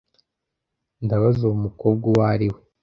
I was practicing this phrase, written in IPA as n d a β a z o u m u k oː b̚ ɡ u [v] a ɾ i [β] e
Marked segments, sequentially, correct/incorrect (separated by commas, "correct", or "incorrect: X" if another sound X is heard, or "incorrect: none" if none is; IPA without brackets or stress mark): incorrect: w, incorrect: w